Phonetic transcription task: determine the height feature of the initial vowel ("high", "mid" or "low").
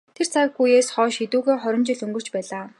mid